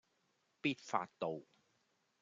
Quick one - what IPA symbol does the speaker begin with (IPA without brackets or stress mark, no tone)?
p